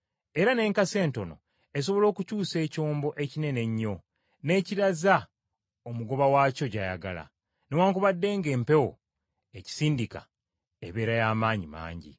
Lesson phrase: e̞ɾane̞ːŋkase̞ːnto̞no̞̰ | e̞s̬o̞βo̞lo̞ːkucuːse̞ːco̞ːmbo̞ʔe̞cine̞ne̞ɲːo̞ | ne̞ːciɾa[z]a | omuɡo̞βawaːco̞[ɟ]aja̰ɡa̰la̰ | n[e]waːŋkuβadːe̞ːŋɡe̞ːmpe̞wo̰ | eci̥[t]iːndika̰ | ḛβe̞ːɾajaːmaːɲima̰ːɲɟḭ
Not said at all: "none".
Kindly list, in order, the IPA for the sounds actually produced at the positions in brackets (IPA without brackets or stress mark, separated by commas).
z, ɟ, e, s